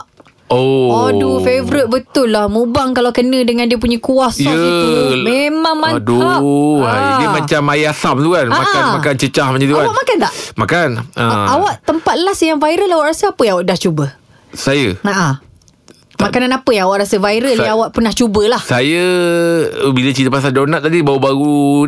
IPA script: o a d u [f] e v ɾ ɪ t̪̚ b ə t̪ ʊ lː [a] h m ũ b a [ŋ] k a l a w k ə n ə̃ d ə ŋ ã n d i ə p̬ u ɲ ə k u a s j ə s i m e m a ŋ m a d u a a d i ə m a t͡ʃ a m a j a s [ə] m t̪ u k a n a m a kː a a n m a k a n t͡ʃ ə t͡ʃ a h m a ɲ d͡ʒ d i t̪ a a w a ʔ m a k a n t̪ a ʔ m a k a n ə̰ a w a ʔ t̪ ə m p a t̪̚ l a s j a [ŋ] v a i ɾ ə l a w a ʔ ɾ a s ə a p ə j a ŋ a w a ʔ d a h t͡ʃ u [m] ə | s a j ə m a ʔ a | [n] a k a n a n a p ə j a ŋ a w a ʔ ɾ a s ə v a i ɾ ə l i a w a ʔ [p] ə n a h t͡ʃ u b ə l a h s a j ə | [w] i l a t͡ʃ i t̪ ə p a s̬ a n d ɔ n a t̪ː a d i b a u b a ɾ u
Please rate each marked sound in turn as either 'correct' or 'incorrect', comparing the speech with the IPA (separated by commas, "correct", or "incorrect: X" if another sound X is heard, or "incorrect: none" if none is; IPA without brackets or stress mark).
correct, correct, correct, incorrect: a, correct, incorrect: b, incorrect: m, correct, incorrect: b